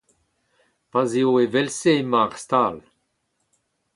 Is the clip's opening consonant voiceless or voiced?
voiceless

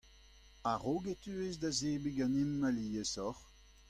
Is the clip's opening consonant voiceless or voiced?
voiced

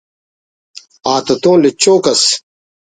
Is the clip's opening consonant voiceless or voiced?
voiceless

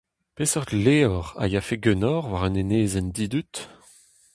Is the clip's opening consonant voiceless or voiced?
voiceless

